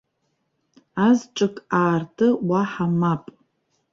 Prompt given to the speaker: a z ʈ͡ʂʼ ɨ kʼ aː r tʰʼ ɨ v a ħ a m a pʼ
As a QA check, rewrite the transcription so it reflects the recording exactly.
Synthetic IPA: a z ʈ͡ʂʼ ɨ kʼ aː r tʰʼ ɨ w a ħ a m a pʼ